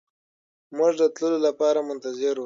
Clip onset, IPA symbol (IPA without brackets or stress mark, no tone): m